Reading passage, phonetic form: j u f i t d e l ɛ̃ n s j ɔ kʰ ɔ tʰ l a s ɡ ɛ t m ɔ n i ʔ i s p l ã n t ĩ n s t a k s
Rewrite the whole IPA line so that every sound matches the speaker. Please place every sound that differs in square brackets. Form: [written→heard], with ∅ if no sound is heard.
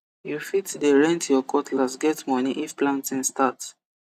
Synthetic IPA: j u f i t d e [l→ɹ] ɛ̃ n [s→t] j ɔ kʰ ɔ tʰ l a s ɡ ɛ t m ɔ n i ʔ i [s→f] p l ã n t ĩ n s t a [k→t] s